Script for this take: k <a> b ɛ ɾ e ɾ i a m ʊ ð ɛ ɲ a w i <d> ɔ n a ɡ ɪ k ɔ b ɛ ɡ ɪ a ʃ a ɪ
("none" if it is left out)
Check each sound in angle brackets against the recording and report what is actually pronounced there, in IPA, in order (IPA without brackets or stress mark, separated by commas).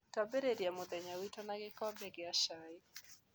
a, t